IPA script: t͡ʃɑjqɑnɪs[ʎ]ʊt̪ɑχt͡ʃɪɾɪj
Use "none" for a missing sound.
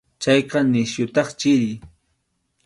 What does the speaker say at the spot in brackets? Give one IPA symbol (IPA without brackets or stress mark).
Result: j